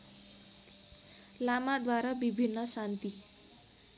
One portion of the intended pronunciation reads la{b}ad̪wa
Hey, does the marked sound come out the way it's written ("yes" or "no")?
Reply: no